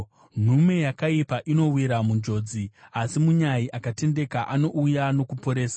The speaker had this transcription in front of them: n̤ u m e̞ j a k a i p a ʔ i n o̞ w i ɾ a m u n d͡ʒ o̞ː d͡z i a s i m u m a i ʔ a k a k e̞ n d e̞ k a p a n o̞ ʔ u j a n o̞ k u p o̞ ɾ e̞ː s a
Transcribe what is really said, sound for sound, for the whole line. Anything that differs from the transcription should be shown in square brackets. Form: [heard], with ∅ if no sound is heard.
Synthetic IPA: n̤ u m e̞ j a k a i p a ʔ i n o̞ w i ɾ a m u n d͡ʒ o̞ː d͡z i a s i m u [ɲ] a i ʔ a k a [t] e̞ n d e̞ k a [ʔ] a n o̞ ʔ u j a n o̞ k u p o̞ ɾ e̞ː s a